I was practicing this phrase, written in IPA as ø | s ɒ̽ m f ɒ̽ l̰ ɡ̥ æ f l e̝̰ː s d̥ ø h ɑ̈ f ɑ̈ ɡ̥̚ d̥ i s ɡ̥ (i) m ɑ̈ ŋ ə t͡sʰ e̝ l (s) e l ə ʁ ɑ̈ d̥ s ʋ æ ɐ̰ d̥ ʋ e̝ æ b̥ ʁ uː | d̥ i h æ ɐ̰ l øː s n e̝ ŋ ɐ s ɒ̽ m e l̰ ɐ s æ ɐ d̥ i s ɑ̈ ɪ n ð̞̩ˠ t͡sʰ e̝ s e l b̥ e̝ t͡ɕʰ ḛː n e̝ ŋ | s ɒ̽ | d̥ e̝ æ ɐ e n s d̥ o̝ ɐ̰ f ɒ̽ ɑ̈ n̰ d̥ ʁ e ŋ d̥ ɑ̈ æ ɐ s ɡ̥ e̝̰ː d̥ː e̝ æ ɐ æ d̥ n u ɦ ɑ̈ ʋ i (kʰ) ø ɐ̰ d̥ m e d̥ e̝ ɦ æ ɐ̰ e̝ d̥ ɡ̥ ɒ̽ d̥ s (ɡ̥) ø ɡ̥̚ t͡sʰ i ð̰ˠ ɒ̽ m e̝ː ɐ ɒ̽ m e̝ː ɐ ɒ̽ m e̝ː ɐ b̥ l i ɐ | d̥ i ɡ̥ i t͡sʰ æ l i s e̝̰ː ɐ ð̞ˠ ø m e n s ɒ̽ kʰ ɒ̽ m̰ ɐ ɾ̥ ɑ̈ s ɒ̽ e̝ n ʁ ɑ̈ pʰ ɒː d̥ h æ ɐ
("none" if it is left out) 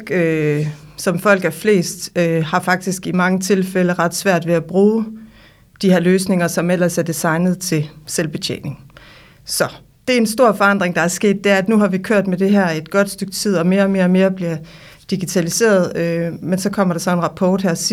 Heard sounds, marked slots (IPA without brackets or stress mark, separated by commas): i, f, kʰ, d̥